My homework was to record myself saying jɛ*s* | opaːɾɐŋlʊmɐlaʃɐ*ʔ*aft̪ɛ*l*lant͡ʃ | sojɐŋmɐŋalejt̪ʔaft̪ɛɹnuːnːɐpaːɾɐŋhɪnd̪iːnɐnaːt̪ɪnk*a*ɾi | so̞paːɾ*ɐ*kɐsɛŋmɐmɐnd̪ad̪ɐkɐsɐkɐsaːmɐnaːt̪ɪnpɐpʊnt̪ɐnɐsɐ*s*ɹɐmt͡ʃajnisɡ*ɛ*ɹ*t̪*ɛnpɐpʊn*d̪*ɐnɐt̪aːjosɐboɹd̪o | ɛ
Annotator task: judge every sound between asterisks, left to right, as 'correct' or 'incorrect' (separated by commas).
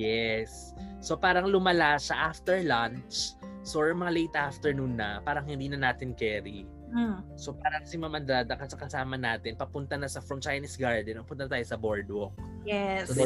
incorrect, correct, incorrect, incorrect, correct, incorrect, incorrect, incorrect, incorrect